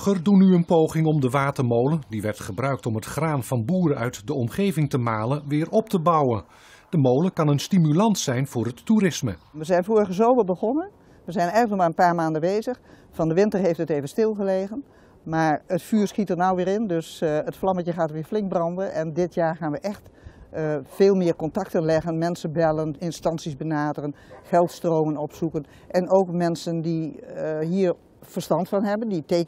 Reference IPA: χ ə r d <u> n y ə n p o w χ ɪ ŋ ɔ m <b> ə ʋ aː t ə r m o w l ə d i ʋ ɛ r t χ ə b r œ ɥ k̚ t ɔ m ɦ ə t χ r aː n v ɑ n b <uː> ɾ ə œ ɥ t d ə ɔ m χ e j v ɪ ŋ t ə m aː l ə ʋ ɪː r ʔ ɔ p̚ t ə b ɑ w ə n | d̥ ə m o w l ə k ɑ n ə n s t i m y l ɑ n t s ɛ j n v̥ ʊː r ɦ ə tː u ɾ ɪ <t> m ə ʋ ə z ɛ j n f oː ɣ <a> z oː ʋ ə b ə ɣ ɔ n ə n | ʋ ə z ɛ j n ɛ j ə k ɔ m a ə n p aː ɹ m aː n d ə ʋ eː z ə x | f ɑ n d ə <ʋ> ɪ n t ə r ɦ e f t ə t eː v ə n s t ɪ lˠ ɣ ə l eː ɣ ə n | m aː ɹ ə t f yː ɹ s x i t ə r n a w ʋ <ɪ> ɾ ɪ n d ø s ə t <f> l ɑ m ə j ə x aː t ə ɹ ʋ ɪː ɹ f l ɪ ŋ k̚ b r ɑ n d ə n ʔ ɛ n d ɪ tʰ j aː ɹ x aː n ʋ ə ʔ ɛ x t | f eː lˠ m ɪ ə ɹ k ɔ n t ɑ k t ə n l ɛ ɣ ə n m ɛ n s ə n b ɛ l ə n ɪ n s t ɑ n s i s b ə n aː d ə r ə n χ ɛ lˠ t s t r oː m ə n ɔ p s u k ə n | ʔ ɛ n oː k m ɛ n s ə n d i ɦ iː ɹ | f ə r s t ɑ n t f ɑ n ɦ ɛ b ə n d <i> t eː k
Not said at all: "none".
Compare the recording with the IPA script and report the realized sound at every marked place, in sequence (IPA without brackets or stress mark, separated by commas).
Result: u, d, uː, s, ə, ʋ, ɪː, f, i